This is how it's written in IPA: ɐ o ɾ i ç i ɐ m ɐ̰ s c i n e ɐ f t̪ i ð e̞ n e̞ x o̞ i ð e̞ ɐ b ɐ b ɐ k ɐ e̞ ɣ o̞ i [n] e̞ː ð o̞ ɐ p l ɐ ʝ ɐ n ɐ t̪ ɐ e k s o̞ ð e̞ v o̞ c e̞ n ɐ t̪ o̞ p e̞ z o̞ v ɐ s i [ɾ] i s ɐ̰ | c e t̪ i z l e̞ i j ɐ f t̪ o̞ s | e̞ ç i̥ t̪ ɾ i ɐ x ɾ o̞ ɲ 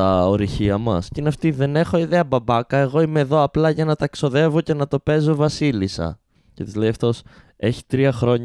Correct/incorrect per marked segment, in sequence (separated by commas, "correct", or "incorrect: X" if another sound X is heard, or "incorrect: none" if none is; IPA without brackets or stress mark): incorrect: m, incorrect: l